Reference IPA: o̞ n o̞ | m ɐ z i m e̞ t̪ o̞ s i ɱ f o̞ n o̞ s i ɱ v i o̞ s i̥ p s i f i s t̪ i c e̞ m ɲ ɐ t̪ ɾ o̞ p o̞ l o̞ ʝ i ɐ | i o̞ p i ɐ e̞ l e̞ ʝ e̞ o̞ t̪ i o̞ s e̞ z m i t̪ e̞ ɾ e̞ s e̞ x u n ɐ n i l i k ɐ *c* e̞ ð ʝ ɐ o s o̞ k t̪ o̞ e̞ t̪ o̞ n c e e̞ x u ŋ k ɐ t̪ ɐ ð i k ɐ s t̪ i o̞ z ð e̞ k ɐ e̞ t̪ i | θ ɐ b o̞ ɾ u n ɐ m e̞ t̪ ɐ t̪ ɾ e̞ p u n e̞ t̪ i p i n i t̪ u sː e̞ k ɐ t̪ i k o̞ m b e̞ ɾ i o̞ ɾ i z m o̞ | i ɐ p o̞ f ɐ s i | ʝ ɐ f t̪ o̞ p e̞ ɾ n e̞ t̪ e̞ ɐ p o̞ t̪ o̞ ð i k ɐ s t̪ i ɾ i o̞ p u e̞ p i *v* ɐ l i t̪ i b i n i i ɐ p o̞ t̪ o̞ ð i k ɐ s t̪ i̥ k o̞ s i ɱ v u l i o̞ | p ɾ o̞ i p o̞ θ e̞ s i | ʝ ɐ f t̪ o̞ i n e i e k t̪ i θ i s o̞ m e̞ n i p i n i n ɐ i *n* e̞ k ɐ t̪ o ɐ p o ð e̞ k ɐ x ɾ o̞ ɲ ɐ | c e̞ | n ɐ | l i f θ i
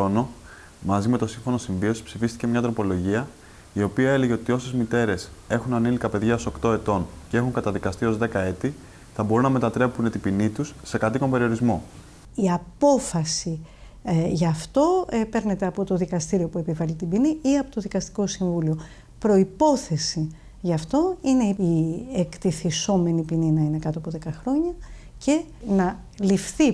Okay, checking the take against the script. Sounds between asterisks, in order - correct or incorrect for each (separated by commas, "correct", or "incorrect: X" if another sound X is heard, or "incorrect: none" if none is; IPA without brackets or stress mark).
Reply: incorrect: p, correct, correct